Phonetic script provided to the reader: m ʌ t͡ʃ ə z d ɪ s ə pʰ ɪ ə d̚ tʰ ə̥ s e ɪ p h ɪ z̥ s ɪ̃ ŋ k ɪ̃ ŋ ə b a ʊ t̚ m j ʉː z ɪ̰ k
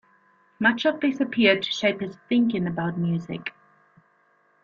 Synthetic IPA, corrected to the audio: m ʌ t͡ʃ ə v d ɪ s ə pʰ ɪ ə d̚ tʰ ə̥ ʃ e ɪ p h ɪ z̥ θ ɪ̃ ŋ k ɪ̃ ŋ ə b a ʊ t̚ m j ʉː z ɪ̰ k